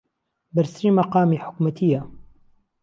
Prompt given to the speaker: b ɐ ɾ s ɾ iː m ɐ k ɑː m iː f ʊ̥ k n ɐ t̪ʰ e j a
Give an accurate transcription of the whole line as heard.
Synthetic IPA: b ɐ ɾ s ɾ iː m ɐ q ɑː m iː ħ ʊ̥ k m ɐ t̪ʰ i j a